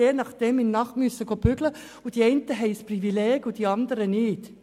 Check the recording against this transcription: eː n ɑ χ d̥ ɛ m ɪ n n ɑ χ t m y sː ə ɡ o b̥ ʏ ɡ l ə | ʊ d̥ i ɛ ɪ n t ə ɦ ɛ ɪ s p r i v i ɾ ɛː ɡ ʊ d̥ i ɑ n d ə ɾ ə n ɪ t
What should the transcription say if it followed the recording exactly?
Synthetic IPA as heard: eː n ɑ χ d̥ ɛ m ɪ n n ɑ χ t m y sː ə ɡ o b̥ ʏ ɡ l ə | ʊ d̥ i ɛ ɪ n t ə ɦ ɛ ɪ s p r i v i l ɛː ɡ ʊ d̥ i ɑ n d ə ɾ ə n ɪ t